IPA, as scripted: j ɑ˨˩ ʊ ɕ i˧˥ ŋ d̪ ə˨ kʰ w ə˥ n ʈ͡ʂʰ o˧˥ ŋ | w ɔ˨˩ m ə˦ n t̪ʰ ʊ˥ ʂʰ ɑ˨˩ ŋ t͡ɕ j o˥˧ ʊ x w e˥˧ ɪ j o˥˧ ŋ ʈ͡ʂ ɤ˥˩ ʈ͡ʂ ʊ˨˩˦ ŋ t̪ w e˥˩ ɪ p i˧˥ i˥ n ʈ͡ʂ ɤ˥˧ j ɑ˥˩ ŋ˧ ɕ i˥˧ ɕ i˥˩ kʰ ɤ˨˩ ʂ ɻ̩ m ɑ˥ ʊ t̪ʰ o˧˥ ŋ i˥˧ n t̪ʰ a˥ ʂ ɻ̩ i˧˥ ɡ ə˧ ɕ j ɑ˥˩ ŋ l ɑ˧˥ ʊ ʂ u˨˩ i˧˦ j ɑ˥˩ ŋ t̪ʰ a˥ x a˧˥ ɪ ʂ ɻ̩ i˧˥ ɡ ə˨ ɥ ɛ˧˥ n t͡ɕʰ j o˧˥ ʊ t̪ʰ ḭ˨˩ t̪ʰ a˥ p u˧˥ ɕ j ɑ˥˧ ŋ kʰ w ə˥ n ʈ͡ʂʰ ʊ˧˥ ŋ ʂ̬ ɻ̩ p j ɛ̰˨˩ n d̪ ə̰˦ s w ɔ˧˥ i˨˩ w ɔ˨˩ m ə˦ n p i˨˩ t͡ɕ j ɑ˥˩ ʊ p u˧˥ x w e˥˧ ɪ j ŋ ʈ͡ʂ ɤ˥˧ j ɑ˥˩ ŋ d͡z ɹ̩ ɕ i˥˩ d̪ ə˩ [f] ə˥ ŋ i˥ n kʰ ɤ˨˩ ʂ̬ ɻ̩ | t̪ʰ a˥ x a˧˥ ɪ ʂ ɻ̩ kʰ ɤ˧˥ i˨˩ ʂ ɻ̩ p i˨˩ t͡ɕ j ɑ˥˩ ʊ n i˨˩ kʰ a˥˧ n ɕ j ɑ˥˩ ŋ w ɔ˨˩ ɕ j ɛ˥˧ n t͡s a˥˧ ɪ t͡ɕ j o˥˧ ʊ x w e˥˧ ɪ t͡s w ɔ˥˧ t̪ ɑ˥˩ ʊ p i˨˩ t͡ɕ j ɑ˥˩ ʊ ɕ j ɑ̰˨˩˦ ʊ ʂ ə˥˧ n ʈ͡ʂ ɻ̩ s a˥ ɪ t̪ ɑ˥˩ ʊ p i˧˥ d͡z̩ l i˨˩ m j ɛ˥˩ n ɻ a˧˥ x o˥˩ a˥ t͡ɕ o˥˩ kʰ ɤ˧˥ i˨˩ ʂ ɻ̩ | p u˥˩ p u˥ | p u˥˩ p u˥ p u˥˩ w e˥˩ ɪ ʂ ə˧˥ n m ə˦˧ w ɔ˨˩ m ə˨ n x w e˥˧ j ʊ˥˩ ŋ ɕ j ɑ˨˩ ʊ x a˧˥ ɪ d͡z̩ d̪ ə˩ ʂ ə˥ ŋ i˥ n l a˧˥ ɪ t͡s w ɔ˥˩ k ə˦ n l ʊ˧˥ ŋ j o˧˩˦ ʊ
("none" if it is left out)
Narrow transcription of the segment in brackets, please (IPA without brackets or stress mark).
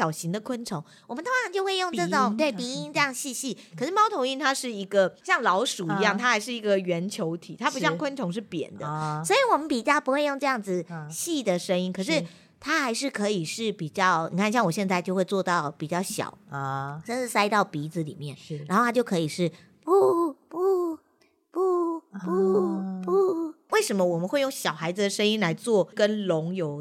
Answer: ʂ